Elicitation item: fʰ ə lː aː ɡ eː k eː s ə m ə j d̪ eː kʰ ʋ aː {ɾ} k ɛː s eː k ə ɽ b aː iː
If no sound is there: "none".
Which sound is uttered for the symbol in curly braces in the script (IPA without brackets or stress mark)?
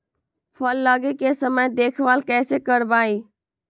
l